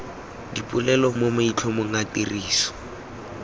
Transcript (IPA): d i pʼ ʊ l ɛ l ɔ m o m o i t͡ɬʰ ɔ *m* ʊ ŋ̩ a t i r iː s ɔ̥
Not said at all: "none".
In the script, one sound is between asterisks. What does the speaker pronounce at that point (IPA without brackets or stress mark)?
m